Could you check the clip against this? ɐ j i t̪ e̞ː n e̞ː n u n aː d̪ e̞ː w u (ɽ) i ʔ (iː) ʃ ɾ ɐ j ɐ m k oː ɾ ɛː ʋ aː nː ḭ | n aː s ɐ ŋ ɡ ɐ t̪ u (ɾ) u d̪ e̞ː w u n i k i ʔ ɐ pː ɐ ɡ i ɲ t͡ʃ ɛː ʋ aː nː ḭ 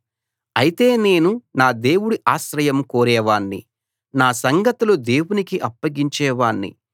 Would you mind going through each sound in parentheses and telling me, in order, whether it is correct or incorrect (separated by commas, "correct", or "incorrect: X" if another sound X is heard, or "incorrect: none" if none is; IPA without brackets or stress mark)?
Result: correct, incorrect: aː, incorrect: l